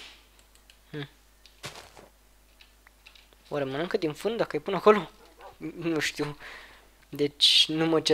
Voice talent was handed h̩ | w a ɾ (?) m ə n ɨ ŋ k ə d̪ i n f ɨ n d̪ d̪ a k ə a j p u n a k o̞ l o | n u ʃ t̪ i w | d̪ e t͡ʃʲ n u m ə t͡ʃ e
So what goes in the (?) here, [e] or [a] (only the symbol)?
e